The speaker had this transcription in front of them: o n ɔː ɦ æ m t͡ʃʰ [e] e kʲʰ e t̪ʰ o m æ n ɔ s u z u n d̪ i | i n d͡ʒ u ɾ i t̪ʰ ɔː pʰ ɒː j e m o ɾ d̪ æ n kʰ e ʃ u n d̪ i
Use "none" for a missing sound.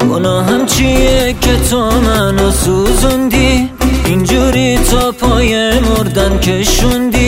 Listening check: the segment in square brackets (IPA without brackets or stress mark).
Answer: i